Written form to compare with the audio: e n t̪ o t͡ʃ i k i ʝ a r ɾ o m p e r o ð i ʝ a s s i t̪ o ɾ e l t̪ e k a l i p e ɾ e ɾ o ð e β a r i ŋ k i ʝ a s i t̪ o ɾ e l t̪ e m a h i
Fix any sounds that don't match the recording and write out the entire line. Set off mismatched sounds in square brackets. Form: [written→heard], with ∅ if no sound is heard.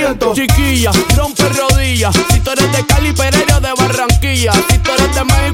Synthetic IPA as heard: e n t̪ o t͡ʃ i k i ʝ a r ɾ o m p e r o ð i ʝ a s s i t̪ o ɾ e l [t̪→d̪] e k a l i p e ɾ e ɾ o ð e β a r [i→a] ŋ k i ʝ a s i t̪ o ɾ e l [t̪→d̪] e m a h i